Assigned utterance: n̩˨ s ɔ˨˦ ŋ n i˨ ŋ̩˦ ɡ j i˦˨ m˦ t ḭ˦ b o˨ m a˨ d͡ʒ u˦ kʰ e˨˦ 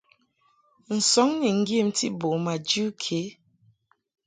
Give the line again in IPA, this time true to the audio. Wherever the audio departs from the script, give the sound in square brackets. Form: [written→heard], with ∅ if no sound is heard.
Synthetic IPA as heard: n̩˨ s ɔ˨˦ ŋ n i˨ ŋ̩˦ ɡ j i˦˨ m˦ t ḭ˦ b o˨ m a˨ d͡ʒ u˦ kʰ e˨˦

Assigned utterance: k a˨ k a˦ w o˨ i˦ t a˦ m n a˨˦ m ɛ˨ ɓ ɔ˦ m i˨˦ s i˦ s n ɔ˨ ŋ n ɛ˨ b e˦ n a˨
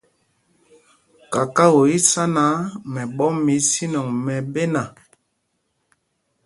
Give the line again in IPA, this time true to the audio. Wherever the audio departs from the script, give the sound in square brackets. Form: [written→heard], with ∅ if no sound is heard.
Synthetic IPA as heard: k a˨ k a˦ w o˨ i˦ [t→s] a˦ [m→∅] n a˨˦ m ɛ˨ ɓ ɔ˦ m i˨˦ s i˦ [s→∅] n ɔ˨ ŋ [n→m] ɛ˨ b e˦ n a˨

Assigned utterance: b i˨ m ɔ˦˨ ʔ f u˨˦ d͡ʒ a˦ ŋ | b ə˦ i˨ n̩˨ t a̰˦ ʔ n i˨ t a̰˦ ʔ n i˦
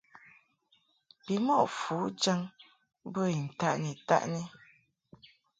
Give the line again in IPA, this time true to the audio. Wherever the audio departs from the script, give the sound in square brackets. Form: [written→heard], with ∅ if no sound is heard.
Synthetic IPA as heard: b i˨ m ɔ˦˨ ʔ f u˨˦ d͡ʒ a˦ ŋ | b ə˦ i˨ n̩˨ t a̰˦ ʔ n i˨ t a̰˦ ʔ n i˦

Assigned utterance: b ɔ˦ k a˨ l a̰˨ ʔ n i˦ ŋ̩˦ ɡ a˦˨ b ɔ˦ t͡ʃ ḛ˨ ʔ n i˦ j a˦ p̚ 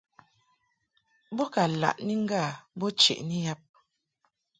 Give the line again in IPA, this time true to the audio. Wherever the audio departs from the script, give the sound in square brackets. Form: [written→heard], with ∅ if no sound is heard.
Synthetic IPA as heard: b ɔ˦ k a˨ l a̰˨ ʔ n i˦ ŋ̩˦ ɡ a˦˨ b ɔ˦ t͡ʃ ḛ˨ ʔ n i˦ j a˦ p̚

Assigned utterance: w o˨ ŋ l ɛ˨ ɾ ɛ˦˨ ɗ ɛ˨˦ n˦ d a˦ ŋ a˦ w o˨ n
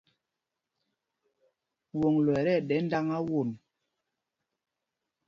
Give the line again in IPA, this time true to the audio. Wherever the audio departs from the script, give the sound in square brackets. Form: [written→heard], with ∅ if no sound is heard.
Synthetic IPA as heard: w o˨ ŋ l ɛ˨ ɾ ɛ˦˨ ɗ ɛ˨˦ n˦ d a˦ ŋ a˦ w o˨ n

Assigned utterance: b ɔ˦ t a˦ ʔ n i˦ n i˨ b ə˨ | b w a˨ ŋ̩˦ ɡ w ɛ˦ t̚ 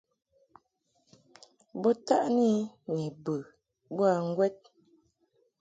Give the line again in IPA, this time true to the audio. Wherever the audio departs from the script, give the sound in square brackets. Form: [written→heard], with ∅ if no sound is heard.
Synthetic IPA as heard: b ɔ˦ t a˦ ʔ n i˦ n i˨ b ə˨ | b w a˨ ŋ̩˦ ɡ w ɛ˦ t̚

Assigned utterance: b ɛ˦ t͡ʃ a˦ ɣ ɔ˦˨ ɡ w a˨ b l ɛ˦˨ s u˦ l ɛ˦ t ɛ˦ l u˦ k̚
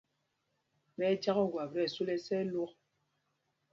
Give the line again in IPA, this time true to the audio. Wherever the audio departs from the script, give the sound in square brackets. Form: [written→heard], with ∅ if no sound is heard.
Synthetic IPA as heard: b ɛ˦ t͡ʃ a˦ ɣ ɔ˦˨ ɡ w a˨ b [l→ɾ] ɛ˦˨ s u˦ l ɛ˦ [t→s] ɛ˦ l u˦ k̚

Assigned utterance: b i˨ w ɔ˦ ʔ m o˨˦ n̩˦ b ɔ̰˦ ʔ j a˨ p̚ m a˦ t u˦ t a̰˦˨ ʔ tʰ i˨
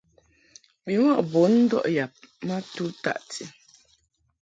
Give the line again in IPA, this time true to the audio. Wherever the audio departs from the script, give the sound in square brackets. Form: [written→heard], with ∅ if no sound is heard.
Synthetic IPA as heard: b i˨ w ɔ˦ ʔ [m→b] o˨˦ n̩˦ [b→d] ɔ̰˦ ʔ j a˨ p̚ m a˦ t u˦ t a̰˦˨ ʔ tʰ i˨

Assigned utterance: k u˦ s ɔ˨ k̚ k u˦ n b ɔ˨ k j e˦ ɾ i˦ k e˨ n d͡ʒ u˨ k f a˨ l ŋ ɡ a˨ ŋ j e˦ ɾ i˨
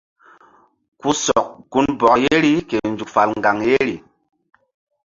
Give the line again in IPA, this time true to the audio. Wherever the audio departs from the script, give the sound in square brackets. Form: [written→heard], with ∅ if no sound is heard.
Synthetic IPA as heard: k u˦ s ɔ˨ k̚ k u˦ n b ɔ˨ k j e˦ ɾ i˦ k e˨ n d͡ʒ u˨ k f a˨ l ŋ ɡ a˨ ŋ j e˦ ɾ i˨

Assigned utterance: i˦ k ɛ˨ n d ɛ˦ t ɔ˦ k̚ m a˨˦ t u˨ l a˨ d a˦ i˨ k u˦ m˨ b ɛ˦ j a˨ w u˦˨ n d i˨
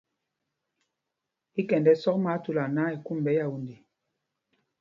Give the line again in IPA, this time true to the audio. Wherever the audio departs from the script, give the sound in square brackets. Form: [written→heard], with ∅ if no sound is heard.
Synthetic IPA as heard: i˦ k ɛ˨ n d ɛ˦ [t→s] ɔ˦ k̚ m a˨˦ t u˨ l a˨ [d→n] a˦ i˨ k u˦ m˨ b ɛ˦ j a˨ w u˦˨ n d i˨

